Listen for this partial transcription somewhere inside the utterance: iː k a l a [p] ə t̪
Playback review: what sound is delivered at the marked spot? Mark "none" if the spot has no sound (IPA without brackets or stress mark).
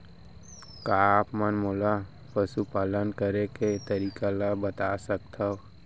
b